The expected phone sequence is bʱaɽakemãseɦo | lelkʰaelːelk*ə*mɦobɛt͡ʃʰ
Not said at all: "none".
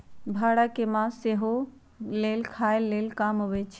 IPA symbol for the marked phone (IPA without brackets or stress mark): a